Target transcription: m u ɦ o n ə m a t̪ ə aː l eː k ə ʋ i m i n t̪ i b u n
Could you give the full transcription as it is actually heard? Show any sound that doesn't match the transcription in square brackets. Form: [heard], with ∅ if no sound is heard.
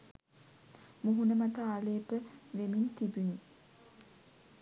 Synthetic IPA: m u ɦ [u] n ə m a t̪ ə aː l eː [p] ə ʋ [e] m i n t̪ i b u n